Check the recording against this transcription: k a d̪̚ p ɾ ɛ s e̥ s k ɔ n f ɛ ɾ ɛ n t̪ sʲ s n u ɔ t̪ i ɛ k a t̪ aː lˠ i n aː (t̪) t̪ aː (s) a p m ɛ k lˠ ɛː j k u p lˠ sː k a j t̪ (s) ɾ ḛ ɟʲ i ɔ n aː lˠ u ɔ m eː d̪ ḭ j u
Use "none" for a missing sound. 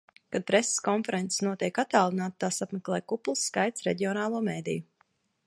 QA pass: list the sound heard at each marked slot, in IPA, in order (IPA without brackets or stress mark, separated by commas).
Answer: t̪, s, s